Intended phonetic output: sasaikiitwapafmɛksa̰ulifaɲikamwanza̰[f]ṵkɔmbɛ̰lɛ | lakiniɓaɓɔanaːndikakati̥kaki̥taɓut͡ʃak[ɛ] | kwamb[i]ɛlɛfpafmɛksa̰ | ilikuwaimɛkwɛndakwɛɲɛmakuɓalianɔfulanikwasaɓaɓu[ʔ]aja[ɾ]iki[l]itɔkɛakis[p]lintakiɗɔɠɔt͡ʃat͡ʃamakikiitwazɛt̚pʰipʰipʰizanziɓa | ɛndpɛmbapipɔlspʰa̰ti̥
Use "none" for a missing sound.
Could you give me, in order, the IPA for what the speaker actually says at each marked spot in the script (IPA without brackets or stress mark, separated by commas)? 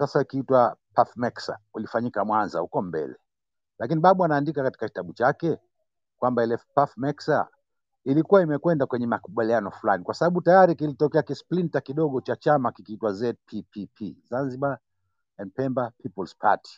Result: h, ɛ, a, t, ɾ, l, p